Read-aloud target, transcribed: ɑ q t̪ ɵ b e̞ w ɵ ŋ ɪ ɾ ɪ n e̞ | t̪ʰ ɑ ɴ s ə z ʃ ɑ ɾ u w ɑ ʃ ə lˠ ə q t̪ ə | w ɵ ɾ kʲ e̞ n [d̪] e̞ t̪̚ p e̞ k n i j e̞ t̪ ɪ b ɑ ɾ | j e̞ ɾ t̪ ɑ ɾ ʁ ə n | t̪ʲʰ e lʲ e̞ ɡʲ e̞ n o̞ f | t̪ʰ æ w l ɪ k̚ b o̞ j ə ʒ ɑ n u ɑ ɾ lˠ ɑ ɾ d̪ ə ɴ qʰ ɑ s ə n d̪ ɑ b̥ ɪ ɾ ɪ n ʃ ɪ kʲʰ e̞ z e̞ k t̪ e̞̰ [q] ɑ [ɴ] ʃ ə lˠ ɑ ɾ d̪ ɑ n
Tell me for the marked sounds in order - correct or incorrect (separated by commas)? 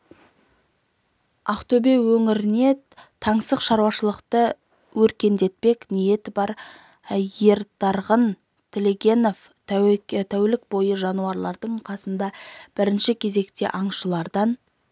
correct, incorrect, correct